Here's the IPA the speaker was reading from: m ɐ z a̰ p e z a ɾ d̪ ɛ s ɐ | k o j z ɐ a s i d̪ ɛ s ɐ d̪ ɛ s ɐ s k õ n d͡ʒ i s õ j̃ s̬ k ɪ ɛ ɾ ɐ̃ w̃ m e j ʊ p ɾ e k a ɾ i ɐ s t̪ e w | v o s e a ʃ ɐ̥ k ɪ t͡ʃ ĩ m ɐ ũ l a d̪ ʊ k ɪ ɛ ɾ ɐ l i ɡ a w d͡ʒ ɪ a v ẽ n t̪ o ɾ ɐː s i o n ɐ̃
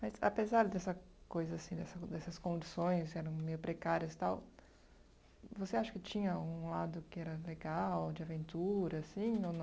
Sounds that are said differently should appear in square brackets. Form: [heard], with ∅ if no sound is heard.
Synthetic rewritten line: m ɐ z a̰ p e z a ɾ d̪ ɛ s ɐ | k o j z ɐ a s [ĩ] d̪ ɛ s ɐ d̪ ɛ s ɐ s k õ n d͡ʒ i s õ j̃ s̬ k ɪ ɛ ɾ ɐ̃ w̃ m e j ʊ p ɾ e k a ɾ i ɐ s t̪ [a] w | v o s e a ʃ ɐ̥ k ɪ t͡ʃ ĩ [ɲ] ɐ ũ l a d̪ ʊ k ɪ ɛ ɾ ɐ l [e] ɡ a w d͡ʒ ɪ a v ẽ n t̪ [u] ɾ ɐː s [ĩ] o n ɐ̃

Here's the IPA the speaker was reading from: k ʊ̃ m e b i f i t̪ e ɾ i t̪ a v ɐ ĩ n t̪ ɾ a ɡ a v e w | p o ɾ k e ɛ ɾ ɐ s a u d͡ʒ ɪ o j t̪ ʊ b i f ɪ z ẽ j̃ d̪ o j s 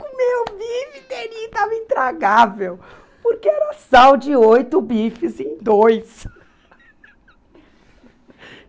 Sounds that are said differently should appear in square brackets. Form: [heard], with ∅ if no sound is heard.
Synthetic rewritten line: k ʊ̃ m e b i f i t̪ e ɾ i t̪ a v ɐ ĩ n t̪ ɾ a ɡ a v e w | p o ɾ k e ɛ ɾ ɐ s a [w] d͡ʒ ɪ o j t̪ ʊ b i f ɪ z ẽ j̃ d̪ o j s

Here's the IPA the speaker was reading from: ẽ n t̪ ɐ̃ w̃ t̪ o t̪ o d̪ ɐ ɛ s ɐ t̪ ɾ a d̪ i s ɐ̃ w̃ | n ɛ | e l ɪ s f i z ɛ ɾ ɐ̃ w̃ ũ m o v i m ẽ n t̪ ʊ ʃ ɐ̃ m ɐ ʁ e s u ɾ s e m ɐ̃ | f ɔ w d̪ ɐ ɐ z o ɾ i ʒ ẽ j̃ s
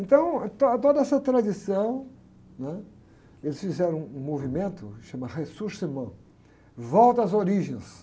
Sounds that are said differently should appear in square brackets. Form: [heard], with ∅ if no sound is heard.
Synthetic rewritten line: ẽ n t̪ ɐ̃ w̃ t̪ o t̪ o d̪ ɐ ɛ s ɐ t̪ ɾ a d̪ i s ɐ̃ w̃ | n ɛ | e l ɪ s f i z ɛ ɾ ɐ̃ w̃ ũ m o v i m ẽ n t̪ ʊ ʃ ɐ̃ m ɐ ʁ e s u ɾ s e m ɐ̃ | [v] ɔ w [t̪] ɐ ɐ z o ɾ i ʒ ẽ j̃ s

